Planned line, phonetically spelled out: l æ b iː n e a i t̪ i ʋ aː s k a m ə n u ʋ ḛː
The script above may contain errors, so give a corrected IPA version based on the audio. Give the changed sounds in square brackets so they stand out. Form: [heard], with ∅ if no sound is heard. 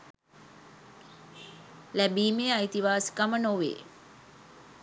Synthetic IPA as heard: l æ b iː [m] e a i t̪ i ʋ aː s k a m ə n [o] ʋ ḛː